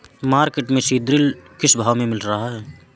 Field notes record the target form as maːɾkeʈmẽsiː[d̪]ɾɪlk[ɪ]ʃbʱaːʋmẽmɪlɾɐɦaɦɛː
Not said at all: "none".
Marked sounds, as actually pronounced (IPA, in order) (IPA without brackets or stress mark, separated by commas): d̪, ɪ